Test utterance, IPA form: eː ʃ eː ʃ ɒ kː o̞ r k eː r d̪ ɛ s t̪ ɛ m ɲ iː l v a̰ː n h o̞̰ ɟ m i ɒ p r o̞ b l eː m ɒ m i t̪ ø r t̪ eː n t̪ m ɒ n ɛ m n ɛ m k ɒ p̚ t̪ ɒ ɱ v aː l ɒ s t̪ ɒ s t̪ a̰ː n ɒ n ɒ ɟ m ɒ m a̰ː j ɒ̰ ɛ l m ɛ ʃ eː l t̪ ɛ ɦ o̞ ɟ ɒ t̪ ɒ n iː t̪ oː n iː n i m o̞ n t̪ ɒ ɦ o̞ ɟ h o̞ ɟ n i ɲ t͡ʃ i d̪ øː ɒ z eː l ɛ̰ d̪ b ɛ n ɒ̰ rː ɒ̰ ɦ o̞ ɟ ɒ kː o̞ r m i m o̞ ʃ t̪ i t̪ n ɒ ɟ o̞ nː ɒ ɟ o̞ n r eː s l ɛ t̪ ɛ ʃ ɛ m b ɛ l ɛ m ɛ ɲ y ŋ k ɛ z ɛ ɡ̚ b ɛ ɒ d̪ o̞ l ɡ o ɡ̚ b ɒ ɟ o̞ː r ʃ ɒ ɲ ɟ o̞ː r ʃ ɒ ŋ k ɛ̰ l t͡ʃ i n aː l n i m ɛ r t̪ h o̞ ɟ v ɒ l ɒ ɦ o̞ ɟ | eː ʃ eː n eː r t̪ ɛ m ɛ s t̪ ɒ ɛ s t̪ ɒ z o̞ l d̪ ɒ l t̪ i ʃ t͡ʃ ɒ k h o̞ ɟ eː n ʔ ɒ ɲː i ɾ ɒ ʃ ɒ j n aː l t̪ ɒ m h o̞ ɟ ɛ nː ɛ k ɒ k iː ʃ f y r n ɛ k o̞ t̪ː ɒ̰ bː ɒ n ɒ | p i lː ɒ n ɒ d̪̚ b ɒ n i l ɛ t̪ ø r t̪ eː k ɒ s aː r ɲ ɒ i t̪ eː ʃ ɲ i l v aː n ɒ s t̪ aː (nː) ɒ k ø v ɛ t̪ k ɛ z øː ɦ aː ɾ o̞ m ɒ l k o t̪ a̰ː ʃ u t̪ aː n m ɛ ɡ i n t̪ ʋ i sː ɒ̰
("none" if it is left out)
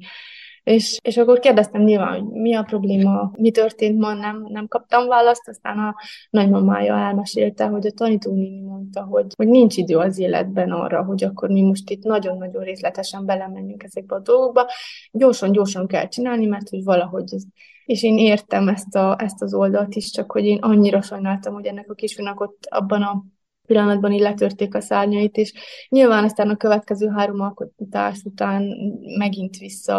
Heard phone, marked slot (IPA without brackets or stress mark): n